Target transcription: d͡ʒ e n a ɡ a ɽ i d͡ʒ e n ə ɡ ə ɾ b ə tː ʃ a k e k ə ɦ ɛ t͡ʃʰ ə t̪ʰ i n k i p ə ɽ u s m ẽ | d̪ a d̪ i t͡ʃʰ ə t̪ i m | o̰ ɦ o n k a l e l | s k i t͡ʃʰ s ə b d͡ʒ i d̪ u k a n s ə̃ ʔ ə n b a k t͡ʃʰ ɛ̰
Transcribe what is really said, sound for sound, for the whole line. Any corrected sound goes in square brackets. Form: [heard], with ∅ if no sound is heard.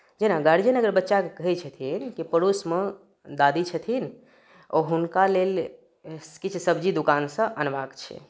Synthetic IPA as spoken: d͡ʒ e n a ɡ a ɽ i d͡ʒ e n ə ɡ ə ɾ b ə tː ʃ a k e k ə ɦ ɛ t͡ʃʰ ə t̪ʰ i n k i p ə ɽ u s m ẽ | d̪ a d̪ i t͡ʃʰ ə [t̪ʰ] i [n] | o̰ ɦ [u] n k a l e l | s k i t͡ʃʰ s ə b d͡ʒ i d̪ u k a n s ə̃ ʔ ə n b a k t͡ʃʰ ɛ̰